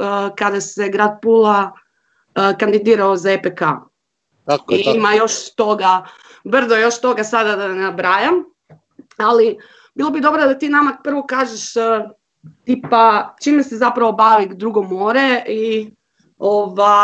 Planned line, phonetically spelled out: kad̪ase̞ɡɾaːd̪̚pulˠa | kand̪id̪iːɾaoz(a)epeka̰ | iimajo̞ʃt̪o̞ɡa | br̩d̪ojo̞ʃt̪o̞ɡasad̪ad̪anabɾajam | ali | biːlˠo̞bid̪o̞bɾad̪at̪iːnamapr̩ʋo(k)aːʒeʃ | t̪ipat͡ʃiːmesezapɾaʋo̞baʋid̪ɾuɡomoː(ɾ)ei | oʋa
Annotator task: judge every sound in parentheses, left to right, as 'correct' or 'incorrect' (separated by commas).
correct, correct, correct